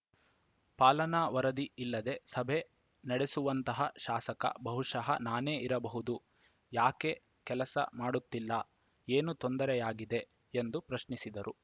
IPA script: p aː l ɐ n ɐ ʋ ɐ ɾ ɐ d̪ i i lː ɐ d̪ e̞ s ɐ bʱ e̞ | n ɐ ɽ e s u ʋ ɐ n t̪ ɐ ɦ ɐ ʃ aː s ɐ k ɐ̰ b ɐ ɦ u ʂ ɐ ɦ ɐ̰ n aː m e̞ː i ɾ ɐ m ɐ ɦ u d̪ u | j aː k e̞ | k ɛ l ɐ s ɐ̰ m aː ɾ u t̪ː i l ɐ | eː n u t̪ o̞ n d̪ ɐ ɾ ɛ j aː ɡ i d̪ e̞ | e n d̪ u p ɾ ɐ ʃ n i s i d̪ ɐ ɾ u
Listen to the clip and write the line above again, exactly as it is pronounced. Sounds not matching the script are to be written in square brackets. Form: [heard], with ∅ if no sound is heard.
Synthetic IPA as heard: p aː l ɐ n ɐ ʋ ɐ ɾ ɐ d̪ i i lː ɐ d̪ e̞ s ɐ bʱ e̞ | n ɐ ɽ e s u ʋ ɐ n t̪ ɐ ɦ ɐ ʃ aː s ɐ k ɐ̰ b ɐ ɦ u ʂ ɐ ɦ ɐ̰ n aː [n] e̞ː i ɾ ɐ [b] ɐ ɦ u d̪ u | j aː k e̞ | k ɛ l ɐ s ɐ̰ m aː [ɽ] u t̪ː i [lː] ɐ | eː n u t̪ o̞ n d̪ ɐ ɾ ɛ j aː ɡ i d̪ e̞ | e n d̪ u p ɾ ɐ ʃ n i s i d̪ ɐ ɾ u